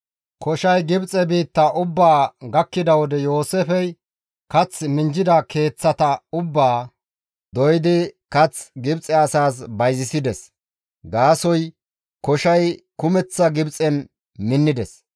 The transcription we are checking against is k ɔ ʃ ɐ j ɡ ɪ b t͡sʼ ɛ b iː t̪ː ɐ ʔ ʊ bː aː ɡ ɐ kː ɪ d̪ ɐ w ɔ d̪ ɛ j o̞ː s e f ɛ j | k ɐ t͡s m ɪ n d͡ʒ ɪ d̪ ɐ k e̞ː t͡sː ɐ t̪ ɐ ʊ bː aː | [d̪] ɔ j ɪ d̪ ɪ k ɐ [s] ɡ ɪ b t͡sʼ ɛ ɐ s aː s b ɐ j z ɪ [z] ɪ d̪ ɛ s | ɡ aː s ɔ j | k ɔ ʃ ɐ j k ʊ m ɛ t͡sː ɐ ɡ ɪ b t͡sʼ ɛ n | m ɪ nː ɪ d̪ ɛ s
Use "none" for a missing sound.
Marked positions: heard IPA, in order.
d̪, t͡s, s

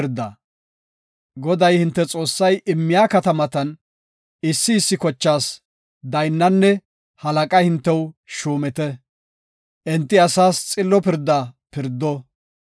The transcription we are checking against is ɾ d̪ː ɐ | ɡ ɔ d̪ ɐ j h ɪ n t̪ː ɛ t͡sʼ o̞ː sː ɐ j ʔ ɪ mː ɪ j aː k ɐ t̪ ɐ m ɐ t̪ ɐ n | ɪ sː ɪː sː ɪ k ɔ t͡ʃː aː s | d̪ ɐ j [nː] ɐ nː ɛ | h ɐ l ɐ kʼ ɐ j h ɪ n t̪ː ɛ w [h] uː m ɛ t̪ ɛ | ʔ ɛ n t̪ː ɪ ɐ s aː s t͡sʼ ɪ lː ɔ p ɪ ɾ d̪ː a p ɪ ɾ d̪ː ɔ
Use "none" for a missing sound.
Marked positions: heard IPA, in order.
nː, ʃ

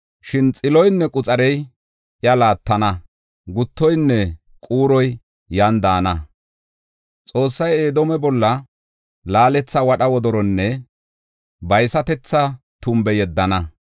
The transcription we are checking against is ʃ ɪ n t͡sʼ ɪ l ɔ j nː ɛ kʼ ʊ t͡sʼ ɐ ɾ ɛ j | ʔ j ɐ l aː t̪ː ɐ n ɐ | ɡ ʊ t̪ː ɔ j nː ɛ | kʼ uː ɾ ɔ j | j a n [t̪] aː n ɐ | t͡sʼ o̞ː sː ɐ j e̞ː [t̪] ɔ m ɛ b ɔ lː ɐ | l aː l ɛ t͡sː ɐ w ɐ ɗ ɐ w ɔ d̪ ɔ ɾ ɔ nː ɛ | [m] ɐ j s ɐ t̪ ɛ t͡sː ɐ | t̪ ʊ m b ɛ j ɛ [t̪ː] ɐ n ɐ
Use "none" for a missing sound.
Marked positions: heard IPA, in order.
d̪, d̪, b, d̪ː

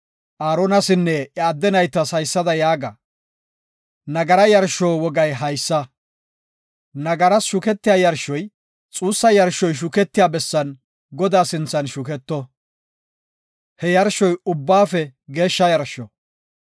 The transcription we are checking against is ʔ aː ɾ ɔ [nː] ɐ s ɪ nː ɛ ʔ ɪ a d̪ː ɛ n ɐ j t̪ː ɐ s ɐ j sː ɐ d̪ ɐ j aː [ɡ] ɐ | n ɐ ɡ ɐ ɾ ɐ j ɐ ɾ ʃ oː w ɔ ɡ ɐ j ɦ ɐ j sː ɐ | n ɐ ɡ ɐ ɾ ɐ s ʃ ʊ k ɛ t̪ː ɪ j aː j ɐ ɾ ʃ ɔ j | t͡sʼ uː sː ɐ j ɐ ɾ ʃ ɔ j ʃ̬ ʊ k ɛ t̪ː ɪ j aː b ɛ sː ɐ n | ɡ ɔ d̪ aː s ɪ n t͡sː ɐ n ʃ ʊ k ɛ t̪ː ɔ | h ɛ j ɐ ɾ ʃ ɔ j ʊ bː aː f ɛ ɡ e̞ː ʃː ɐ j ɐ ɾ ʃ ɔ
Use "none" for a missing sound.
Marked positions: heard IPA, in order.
n, ɡ

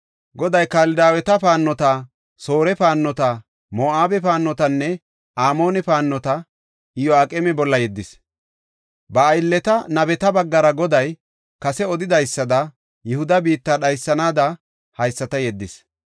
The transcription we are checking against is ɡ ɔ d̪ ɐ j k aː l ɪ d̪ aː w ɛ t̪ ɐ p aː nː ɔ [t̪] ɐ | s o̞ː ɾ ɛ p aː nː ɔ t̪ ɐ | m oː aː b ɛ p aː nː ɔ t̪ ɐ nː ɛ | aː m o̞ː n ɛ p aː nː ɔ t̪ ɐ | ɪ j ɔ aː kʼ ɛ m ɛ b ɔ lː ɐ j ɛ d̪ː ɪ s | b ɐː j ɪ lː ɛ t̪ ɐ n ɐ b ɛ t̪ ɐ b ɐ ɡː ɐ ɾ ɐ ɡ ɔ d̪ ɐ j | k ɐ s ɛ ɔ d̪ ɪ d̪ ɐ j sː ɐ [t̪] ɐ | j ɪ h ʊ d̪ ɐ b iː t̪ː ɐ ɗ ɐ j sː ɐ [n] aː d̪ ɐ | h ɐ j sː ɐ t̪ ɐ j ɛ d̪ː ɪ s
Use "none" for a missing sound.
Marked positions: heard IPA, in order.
t̪, d̪, n

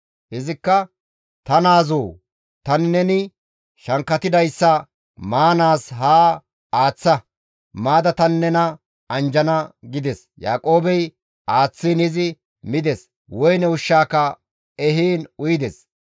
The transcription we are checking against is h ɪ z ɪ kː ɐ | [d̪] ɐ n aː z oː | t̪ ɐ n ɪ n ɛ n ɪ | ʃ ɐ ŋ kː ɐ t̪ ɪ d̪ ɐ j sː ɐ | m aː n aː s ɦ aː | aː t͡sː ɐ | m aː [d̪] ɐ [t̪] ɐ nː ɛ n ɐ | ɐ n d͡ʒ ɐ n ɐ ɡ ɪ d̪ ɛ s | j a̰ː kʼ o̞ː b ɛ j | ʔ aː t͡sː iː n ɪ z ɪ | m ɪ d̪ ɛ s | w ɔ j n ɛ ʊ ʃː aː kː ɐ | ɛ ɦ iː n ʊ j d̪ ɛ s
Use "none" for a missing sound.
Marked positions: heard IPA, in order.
t̪, d̪, t̪

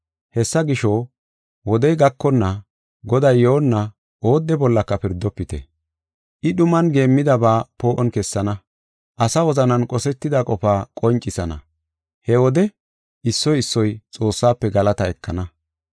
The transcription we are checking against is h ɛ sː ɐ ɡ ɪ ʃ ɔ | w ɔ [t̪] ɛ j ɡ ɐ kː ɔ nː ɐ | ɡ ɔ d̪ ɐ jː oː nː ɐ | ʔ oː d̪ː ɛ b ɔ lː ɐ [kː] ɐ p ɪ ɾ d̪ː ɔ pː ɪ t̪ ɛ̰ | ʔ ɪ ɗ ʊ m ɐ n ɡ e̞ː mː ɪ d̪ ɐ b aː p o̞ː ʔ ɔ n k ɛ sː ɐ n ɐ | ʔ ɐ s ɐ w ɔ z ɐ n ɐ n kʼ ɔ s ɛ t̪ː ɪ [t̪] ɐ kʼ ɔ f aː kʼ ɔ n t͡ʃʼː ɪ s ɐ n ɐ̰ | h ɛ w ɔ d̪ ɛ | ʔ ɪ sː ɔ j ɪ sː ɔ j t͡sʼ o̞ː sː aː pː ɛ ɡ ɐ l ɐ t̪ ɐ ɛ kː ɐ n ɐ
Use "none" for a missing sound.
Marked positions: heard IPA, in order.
d̪, kː, d̪

